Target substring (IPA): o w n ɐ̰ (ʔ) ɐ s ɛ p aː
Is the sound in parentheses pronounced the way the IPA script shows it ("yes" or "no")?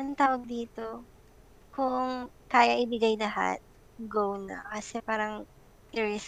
no